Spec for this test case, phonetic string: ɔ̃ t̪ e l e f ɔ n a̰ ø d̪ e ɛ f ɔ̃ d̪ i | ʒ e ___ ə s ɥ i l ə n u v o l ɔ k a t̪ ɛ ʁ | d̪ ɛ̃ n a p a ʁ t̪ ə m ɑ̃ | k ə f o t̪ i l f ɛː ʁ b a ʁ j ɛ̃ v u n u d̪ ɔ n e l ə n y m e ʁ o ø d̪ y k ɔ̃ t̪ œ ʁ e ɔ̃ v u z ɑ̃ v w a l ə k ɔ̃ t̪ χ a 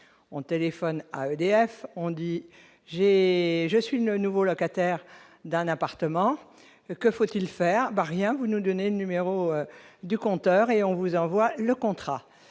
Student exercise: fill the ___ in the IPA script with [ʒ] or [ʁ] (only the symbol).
ʒ